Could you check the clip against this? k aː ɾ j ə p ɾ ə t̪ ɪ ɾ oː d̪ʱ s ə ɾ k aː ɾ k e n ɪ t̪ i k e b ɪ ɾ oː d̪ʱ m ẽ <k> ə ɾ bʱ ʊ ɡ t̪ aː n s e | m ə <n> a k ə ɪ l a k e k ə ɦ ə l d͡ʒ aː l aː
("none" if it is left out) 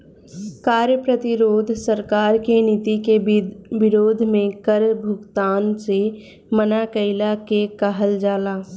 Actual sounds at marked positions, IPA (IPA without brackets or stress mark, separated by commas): k, n